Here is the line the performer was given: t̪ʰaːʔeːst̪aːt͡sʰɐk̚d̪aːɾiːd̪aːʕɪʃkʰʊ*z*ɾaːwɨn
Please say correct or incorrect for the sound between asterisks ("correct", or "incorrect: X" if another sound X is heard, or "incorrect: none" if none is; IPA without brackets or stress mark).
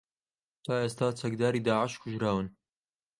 incorrect: ʒ